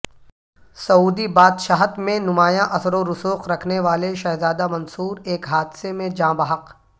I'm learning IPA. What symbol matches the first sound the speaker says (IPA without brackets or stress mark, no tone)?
s